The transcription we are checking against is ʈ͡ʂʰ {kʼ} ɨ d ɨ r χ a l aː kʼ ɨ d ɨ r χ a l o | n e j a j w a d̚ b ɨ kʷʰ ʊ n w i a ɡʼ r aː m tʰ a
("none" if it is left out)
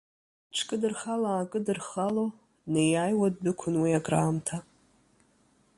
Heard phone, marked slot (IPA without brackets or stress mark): kʼ